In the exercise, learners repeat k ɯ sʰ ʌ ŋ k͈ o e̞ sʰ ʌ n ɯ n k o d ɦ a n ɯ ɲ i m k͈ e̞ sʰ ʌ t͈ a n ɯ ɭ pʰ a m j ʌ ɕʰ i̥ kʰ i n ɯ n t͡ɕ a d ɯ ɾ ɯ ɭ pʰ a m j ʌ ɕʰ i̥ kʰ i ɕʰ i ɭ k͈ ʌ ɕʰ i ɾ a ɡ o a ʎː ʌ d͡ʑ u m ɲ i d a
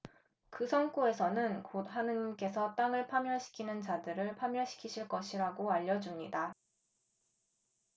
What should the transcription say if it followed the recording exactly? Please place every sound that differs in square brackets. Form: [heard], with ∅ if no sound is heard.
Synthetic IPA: k ɯ sʰ ʌ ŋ k͈ o e̞ sʰ ʌ n ɯ n k o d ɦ a n ɯ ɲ i m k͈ e̞ sʰ ʌ t͈ a [ŋ] ɯ ɭ pʰ a m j ʌ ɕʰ i̥ kʰ i n ɯ n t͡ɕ a d ɯ ɾ ɯ ɭ pʰ a m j ʌ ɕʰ i̥ kʰ i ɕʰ i ɭ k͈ ʌ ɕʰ i ɾ a ɡ o a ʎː ʌ d͡ʑ u m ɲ i d a